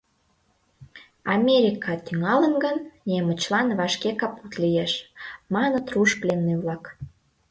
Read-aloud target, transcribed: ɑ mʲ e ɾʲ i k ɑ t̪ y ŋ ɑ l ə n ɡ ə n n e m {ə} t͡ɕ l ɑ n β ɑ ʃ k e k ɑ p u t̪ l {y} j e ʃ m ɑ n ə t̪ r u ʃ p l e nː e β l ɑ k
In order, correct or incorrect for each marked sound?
correct, incorrect

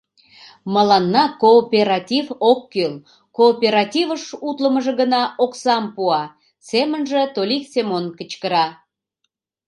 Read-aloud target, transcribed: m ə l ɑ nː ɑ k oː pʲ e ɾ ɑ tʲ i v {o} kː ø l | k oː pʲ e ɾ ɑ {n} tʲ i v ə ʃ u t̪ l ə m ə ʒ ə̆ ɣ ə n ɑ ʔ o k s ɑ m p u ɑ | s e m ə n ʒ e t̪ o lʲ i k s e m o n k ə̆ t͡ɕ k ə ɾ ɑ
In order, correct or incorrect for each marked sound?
correct, incorrect

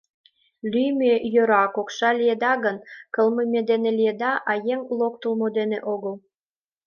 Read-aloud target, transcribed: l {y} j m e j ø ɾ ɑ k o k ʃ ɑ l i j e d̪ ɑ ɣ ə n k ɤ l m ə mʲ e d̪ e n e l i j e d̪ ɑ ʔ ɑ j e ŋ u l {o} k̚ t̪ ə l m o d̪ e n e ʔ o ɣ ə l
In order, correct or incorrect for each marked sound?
correct, correct

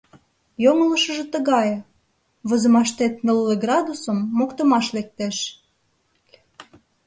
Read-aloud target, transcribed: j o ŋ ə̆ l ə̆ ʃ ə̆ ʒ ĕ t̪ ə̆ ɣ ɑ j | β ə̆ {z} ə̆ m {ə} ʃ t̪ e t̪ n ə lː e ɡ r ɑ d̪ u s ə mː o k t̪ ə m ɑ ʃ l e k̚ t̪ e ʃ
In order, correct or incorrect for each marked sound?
correct, incorrect

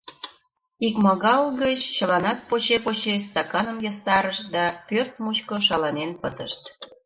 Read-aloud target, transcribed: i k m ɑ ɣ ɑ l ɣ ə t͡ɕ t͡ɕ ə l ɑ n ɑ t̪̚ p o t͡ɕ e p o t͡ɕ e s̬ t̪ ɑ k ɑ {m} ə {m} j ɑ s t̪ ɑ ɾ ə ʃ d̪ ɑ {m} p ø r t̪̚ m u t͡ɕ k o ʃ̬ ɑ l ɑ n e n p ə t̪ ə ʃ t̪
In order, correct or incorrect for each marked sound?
incorrect, correct, incorrect

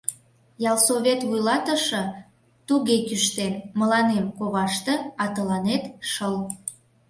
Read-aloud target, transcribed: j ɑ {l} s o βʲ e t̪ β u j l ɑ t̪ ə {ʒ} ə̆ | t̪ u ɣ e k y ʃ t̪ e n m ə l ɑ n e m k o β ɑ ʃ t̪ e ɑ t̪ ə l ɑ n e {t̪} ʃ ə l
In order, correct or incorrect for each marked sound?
correct, incorrect, correct

